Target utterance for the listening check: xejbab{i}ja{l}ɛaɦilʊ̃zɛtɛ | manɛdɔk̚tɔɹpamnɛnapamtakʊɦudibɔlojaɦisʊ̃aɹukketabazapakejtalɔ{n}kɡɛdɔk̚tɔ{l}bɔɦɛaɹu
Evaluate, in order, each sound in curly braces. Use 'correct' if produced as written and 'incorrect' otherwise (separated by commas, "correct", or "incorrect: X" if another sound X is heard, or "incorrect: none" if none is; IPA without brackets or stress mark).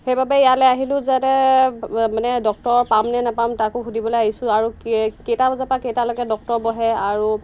incorrect: ɛ, correct, incorrect: none, incorrect: ɹ